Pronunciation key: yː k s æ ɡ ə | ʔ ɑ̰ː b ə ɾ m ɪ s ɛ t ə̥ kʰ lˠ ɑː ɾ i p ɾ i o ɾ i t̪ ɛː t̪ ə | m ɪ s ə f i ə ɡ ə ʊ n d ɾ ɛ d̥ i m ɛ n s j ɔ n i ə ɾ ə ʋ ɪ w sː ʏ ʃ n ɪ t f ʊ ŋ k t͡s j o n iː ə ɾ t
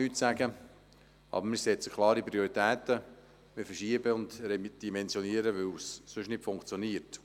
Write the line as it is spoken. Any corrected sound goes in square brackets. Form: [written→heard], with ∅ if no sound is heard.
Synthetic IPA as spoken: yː [k→t] s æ ɡ ə | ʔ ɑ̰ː b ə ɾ m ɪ s ɛ [t→t͡s] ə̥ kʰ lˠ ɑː ɾ i p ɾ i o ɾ i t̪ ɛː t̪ ə | m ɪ [s→f] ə [f→ʃ] i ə [ɡ→b] ə ʊ n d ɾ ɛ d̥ i m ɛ n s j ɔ n i ə ɾ ə ʋ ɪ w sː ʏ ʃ n ɪ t f ʊ ŋ k t͡s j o n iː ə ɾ t